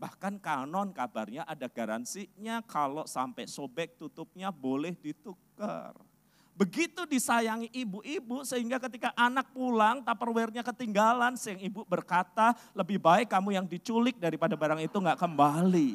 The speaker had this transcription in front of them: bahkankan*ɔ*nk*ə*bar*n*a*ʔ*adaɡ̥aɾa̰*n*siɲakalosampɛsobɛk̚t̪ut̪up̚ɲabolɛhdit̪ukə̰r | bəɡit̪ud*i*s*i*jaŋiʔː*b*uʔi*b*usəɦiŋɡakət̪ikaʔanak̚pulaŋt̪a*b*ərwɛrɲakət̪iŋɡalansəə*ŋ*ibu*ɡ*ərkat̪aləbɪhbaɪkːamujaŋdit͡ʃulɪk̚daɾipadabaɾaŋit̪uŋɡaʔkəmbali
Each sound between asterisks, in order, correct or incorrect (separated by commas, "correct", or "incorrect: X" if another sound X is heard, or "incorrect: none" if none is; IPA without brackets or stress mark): correct, incorrect: a, incorrect: ɲ, correct, correct, correct, incorrect: a, correct, correct, incorrect: p, correct, incorrect: b